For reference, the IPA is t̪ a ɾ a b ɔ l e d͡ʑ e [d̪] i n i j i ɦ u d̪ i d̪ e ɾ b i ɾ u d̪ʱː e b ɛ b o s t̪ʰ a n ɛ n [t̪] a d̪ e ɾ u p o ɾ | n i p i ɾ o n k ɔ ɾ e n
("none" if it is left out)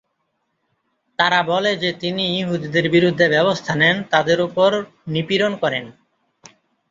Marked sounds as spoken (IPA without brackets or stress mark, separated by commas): t̪, t̪